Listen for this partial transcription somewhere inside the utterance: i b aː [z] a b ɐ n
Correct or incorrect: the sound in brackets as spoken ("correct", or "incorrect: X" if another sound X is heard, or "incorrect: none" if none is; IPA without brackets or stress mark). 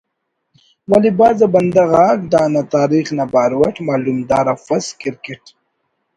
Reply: correct